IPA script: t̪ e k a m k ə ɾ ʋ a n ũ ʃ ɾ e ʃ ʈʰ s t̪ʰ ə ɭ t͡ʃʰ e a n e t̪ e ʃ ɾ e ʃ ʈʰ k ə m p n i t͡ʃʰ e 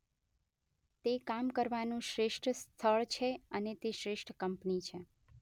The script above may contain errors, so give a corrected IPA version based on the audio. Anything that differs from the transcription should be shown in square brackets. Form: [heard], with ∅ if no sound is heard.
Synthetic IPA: t̪ e k a m k ə ɾ ʋ a n ũ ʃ ɾ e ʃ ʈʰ s t̪ʰ ə ɭ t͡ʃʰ e [ə] n e t̪ e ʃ ɾ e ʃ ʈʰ k ə m p n i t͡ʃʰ e